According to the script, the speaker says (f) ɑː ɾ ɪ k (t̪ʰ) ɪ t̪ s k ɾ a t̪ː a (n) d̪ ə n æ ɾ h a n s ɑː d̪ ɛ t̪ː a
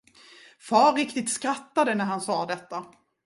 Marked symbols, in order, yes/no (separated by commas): yes, no, no